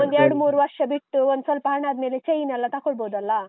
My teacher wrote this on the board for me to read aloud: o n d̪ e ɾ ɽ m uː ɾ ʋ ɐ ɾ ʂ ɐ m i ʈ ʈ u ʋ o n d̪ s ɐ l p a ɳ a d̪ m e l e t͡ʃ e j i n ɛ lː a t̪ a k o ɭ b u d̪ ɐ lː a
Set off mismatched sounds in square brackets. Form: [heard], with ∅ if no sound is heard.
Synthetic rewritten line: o n d̪ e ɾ ɽ m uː ɾ ʋ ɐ ɾ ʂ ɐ [b] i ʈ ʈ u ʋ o n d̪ s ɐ l p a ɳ a d̪ m e l e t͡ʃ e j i n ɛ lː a t̪ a k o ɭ b [o] d̪ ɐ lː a